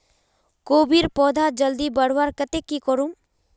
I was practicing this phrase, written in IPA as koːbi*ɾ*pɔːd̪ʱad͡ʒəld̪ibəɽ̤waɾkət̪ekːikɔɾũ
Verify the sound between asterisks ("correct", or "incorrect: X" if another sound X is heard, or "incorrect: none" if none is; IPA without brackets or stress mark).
correct